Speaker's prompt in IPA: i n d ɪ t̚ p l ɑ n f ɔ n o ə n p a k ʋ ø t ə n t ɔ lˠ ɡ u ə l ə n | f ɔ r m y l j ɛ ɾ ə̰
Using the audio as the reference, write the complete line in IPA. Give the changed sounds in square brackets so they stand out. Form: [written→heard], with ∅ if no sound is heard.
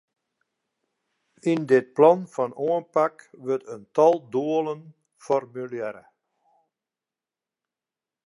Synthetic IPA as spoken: i n d ɪ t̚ p l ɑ n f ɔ n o ə n p a k ʋ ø t ə n t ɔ lˠ [ɡ→d] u ə l ə n | f ɔ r m y l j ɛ ɾ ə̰